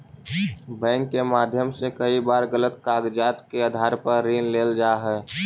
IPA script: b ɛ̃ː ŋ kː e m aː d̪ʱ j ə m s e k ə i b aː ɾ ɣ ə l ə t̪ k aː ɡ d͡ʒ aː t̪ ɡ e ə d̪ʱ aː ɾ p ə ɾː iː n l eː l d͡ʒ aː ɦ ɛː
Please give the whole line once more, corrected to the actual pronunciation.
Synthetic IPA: b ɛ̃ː ŋ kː e m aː d̪ʱ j ə m s e k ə i b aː ɾ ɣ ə l ə t̪ k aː ɡ d͡ʒ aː t̪ k e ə d̪ʱ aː ɾ p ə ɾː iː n l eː l d͡ʒ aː ɦ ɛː